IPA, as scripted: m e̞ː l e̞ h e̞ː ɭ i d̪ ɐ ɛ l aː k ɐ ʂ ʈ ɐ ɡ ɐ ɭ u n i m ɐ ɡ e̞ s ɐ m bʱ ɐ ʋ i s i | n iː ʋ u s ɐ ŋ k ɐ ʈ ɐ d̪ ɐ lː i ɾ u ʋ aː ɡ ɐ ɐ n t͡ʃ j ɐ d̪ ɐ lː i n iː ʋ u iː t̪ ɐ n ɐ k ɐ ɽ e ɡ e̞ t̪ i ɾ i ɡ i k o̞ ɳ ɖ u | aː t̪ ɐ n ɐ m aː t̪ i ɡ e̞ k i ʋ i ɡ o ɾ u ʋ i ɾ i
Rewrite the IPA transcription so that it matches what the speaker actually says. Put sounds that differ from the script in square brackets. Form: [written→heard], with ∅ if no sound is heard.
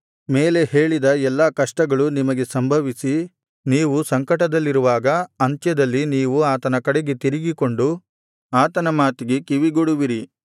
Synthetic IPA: m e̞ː l e̞ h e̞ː ɭ i d̪ ɐ ɛ [l→lː] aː k ɐ ʂ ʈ ɐ ɡ ɐ ɭ u n i m ɐ ɡ e̞ s ɐ m bʱ ɐ ʋ i s i | n iː ʋ u s ɐ ŋ k ɐ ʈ ɐ d̪ ɐ lː i ɾ u ʋ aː ɡ ɐ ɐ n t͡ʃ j ɐ d̪ ɐ lː i n iː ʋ u [iː→aː] t̪ ɐ n ɐ k ɐ ɽ e ɡ e̞ t̪ i ɾ i ɡ i k o̞ ɳ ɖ u | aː t̪ ɐ n ɐ m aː t̪ i ɡ e̞ k i ʋ i ɡ o [ɾ→ɽ] u ʋ i ɾ i